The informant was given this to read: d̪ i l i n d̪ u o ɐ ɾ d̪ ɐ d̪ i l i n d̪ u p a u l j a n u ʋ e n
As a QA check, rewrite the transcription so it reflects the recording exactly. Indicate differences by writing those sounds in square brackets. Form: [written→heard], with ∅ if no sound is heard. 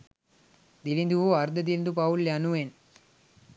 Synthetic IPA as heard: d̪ i l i n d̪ u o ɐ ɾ d̪ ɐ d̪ i l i n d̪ u p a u l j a n u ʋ e n